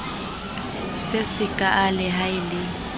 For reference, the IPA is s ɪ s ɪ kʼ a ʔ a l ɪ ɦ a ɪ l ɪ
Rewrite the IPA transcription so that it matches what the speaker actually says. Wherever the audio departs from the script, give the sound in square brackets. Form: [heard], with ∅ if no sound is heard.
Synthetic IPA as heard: s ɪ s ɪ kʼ a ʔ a l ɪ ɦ a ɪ l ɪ